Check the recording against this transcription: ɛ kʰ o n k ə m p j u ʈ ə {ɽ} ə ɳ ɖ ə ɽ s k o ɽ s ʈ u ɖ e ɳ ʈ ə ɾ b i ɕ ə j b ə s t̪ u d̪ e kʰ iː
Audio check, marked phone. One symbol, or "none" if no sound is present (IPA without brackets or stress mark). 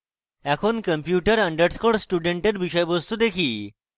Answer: ɾ